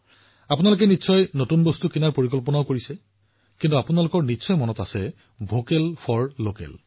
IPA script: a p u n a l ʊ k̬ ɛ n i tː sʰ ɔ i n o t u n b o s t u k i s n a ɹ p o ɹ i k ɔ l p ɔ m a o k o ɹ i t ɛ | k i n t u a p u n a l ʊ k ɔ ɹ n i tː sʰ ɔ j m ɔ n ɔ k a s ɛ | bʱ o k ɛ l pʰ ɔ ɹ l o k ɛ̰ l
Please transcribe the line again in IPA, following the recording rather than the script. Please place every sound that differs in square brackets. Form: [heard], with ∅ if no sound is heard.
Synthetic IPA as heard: a p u n a l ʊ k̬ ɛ n i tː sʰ ɔ [j] n o t u n b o s t u k i [∅] n a ɹ p o ɹ i k ɔ l p ɔ [n] a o k o ɹ i [s] ɛ | k i n t u a p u n a l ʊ k ɔ ɹ n i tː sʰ ɔ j m ɔ n ɔ [t] a s ɛ | bʱ o k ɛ l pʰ ɔ ɹ l o k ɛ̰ l